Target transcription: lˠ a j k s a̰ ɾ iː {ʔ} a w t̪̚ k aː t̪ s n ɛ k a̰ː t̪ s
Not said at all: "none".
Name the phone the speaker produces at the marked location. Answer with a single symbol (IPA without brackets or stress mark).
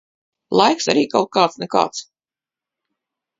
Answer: k